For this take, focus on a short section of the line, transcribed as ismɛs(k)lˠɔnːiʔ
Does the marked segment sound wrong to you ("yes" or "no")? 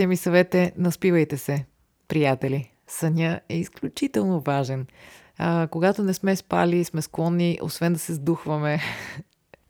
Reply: no